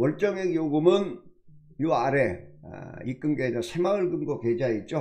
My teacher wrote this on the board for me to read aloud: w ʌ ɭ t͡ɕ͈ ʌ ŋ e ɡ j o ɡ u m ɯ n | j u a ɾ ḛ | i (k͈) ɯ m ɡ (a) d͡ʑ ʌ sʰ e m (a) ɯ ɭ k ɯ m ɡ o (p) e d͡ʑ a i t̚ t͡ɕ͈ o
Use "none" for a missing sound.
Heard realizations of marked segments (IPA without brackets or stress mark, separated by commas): k͈, e, a, k